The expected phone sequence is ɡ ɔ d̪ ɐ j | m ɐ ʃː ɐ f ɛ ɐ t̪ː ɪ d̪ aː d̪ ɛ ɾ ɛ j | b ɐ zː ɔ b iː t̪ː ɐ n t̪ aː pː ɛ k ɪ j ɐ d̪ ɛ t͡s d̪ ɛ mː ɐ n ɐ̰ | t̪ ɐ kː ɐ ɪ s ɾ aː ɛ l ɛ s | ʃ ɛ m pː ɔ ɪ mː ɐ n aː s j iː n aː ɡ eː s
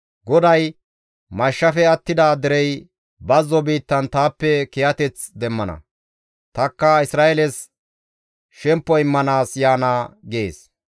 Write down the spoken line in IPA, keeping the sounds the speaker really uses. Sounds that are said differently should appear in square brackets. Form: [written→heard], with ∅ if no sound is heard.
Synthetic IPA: ɡ ɔ d̪ ɐ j | m ɐ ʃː ɐ f ɛ ɐ t̪ː ɪ d̪ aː d̪ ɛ ɾ ɛ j | b ɐ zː ɔ b iː t̪ː ɐ n t̪ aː pː ɛ k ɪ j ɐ [d̪→t̪] ɛ t͡s d̪ ɛ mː ɐ n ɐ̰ | t̪ ɐ kː ɐ ɪ s ɾ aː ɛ l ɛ s | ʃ ɛ m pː ɔ ɪ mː ɐ n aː s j [iː→aː] n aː ɡ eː s